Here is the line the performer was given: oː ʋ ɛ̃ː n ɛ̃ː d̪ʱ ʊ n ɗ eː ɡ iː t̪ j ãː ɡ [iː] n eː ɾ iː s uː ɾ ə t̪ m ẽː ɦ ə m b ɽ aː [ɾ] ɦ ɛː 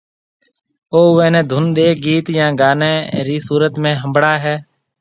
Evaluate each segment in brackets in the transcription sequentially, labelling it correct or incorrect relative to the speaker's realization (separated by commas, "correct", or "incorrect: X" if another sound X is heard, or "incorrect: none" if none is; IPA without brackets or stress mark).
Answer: incorrect: aː, incorrect: none